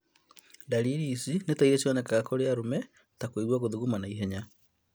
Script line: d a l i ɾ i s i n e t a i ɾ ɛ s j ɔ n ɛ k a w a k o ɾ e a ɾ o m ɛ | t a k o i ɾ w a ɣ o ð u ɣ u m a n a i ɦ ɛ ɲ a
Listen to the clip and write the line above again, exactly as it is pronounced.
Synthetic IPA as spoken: d a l i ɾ i s i n e t a i ɾ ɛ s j ɔ n ɛ k a ɣ a k o ɾ e a ɾ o m ɛ | t a k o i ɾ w a ɣ o ð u ɣ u m a n a i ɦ ɛ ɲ a